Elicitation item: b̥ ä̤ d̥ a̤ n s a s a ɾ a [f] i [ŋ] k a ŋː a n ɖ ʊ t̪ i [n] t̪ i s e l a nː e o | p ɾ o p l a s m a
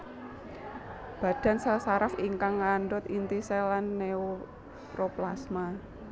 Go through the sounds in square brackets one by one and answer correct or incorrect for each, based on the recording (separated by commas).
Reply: correct, correct, correct